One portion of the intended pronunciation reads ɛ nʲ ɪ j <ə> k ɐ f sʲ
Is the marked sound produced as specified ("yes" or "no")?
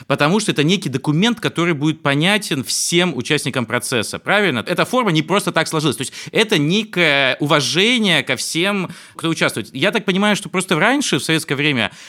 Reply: yes